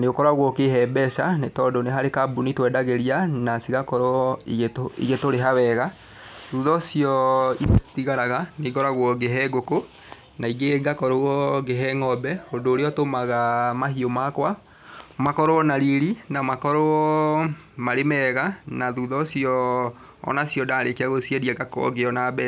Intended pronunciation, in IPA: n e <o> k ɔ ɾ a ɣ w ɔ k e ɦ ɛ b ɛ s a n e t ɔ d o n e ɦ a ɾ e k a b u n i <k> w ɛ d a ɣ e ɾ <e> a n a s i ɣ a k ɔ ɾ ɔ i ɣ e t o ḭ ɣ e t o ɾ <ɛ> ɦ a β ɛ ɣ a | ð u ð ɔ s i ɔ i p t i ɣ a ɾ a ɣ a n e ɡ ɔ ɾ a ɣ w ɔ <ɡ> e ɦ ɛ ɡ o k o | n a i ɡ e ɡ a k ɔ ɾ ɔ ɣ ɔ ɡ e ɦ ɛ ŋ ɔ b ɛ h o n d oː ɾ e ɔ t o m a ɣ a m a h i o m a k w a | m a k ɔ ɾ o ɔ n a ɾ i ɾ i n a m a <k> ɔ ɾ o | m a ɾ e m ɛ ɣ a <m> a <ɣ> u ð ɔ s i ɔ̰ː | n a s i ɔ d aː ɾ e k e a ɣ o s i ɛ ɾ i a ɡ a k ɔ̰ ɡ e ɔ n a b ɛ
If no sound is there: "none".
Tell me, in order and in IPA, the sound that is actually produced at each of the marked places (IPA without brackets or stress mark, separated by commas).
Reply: o, t, i, e, ɡ, k, n, ð